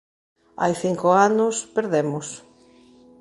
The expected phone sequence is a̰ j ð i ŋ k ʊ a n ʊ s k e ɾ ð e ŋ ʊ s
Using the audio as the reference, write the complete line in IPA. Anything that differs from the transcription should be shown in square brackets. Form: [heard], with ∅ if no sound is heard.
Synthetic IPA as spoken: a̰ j [θ] i ŋ k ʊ a n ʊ s [p] e ɾ ð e [m] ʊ s